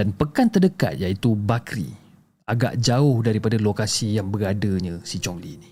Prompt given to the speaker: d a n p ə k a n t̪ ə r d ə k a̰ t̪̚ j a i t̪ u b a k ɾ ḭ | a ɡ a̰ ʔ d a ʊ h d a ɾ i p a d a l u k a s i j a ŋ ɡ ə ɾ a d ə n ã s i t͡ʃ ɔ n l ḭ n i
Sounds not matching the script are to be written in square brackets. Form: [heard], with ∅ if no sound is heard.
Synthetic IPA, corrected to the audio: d a n p ə k a n t̪ ə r d ə k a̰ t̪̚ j a i t̪ u b a k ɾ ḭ | a ɡ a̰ ʔ [d͡ʒ] a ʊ h d a ɾ i p a d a l [o] k a s i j a ŋ [b] ə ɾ a d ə [ɲ] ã s i t͡ʃ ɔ [ŋ] l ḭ n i